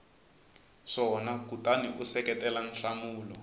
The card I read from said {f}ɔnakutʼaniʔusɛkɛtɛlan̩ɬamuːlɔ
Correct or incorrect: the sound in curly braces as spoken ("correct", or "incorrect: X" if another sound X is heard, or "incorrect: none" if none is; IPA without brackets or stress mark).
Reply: incorrect: ʂ